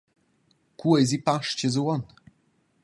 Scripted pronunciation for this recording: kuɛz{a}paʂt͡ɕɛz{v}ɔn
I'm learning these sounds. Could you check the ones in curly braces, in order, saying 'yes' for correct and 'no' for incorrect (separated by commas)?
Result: no, no